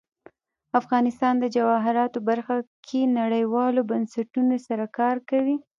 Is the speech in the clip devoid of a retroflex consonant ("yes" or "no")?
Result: no